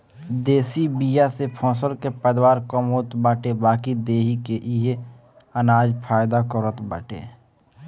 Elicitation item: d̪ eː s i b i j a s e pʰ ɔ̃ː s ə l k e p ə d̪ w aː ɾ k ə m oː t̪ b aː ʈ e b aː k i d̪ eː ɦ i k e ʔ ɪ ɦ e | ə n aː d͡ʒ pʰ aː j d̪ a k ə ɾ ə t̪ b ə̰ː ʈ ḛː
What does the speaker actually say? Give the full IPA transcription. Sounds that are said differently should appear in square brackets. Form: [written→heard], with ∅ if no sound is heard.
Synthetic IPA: d̪ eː s i b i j a s e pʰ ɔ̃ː s ə l k e p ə d̪ w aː ɾ k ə m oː t̪ b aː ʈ e b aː k i d̪ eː ɦ i k e ʔ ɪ ɦ e | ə n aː d͡ʒ pʰ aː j d̪ a k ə ɾ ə t̪ b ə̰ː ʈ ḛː